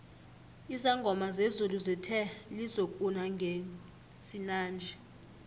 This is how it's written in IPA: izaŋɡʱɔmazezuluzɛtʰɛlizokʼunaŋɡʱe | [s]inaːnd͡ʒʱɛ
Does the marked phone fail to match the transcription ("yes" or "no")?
no